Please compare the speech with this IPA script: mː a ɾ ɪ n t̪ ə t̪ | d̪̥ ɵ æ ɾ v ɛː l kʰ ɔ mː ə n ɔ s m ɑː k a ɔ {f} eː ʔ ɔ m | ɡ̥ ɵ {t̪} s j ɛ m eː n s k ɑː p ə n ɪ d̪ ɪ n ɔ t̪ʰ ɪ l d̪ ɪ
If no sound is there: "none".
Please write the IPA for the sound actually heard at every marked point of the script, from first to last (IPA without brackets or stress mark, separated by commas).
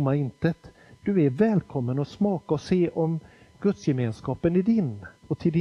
s, t̪